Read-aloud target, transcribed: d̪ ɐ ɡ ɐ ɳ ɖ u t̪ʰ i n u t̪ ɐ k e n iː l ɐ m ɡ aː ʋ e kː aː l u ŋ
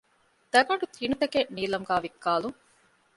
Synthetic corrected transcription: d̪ ɐ ɡ ɐ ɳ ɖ u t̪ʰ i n u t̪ ɐ k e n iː l ɐ m ɡ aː ʋ i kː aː l u ŋ